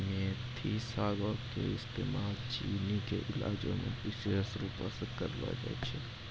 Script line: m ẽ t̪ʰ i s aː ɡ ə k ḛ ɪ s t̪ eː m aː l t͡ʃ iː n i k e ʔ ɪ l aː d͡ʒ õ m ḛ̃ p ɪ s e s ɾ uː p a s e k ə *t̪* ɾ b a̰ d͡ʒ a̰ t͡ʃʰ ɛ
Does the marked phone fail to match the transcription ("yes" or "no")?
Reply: yes